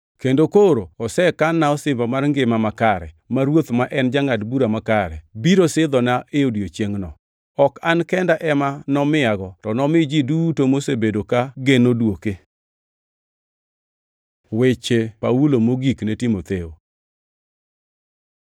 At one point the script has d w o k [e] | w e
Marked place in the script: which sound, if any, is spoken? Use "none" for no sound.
e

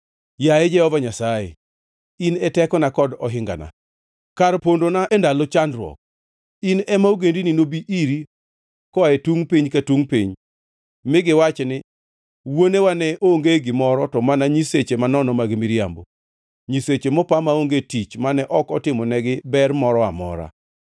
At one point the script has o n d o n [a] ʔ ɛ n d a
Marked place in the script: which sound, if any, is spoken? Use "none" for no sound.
a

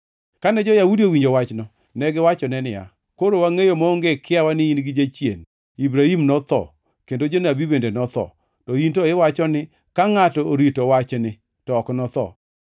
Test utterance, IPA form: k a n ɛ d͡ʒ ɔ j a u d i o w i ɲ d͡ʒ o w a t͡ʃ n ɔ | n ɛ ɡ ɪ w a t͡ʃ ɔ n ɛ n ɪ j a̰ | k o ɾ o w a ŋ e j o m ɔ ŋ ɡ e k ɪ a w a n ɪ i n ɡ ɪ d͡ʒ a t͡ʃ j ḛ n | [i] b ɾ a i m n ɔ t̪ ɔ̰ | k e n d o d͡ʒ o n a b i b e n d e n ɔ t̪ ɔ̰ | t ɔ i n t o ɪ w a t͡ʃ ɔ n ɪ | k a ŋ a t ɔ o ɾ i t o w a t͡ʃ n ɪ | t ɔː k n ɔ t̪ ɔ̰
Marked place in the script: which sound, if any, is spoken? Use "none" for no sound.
i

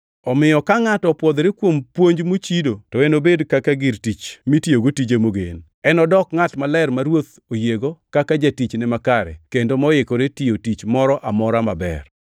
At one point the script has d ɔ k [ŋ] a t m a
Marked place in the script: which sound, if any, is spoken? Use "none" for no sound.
ŋ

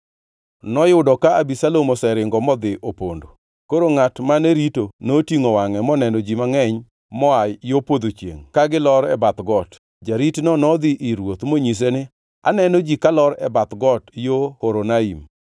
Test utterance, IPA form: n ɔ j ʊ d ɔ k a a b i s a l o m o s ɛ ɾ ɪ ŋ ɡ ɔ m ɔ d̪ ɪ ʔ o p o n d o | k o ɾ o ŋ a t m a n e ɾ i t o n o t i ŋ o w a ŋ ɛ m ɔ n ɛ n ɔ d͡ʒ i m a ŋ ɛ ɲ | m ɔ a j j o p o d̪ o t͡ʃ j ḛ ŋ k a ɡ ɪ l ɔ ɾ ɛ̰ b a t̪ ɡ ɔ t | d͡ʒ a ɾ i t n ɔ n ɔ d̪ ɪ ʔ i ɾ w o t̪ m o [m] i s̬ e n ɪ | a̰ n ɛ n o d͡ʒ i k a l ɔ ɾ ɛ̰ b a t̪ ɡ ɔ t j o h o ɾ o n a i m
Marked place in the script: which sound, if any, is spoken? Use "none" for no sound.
ɲ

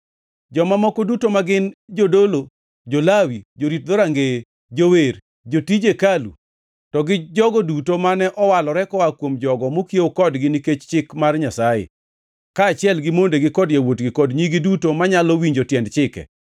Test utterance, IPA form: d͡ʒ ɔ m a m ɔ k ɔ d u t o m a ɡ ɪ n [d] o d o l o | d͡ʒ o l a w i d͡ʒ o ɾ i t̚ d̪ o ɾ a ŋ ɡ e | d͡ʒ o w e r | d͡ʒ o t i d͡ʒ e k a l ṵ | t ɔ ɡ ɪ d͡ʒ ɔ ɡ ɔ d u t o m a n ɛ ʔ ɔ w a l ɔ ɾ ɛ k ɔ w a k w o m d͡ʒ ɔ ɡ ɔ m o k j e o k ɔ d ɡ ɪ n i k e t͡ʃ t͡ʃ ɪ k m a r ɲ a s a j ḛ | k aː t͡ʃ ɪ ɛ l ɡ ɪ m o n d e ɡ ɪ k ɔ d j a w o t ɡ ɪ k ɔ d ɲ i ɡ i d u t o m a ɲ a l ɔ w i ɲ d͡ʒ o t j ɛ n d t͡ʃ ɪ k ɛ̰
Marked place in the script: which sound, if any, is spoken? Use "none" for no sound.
d͡ʒ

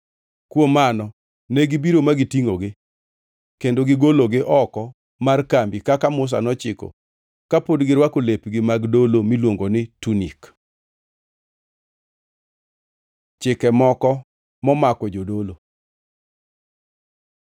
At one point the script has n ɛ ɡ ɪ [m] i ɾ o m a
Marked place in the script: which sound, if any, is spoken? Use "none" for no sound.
b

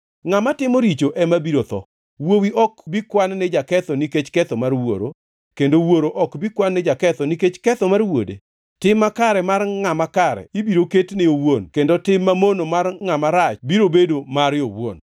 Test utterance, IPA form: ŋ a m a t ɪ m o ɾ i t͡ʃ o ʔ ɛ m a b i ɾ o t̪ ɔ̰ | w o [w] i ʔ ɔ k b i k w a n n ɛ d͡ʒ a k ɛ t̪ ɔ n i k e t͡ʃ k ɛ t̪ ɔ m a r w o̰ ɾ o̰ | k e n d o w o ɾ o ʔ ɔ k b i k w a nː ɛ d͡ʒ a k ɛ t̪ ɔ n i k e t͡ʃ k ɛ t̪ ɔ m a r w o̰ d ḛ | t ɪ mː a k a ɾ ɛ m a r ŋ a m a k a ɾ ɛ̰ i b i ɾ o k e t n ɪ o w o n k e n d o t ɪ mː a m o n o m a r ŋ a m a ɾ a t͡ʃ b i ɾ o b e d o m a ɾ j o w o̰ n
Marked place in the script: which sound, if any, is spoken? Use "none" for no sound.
w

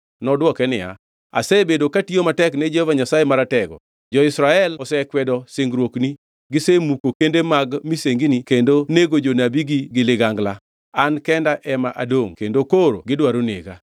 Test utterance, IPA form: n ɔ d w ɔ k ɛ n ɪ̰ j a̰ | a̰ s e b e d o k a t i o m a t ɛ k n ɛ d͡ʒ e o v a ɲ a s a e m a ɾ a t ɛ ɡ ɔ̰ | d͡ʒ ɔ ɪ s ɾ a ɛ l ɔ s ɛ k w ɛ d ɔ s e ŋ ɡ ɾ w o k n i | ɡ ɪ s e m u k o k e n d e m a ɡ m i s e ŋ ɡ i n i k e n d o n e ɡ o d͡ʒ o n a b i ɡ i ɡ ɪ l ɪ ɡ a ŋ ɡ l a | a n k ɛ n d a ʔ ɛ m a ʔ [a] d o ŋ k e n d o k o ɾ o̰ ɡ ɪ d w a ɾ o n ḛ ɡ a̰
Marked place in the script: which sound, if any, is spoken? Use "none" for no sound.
a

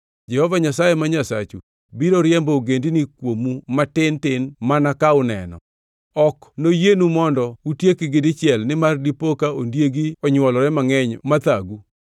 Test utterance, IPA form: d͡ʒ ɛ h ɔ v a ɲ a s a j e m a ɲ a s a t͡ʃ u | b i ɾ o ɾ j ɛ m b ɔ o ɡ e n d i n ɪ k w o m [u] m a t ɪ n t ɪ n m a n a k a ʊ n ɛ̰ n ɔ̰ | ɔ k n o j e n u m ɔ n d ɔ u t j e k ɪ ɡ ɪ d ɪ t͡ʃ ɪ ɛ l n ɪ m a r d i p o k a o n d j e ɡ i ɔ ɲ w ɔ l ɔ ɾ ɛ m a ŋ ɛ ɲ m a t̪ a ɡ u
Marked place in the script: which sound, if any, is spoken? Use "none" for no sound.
u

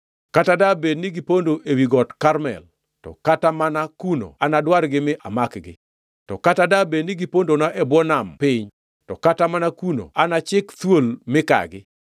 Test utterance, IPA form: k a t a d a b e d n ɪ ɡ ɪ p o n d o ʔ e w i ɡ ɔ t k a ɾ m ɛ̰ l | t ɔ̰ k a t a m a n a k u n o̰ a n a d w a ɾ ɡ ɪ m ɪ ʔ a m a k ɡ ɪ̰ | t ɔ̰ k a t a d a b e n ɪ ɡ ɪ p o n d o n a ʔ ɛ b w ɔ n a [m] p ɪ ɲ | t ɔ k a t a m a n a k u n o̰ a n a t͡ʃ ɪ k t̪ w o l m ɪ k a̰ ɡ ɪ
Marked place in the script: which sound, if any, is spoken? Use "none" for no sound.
m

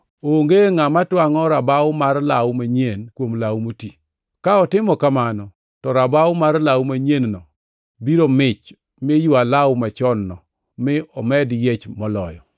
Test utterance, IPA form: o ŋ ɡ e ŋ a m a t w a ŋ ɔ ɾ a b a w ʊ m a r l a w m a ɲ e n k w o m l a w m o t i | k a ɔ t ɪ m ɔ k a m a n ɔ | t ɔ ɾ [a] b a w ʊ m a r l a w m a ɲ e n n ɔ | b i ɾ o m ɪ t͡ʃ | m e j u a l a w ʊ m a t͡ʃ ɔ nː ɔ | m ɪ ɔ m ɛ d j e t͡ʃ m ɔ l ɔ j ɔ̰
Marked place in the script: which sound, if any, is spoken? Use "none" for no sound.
a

